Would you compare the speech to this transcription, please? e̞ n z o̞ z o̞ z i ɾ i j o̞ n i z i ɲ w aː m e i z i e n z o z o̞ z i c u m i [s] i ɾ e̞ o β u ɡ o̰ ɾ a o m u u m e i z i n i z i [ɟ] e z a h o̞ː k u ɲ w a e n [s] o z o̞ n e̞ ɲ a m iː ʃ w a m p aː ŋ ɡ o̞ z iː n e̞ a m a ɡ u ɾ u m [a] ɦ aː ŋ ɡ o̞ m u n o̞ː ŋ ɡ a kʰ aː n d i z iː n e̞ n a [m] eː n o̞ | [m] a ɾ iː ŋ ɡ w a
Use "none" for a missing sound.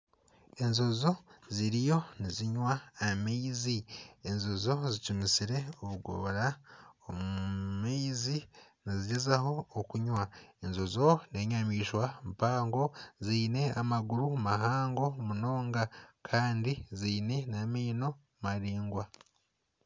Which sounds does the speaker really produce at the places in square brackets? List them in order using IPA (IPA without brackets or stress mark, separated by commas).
s, ɟ, z, a, m, m